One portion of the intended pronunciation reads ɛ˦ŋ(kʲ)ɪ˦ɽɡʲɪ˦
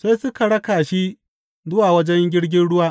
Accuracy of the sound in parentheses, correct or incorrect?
incorrect